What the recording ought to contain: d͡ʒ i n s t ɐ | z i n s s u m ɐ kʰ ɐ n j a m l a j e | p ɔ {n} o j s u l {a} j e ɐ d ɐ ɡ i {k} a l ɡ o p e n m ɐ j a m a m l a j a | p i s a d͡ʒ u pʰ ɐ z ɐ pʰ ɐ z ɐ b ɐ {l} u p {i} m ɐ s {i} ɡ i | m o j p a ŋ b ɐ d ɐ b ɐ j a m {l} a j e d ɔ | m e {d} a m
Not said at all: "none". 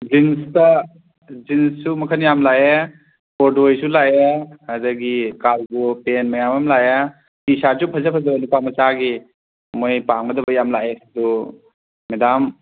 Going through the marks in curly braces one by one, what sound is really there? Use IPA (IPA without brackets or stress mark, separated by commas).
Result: d, a, k, l, a, a, l, d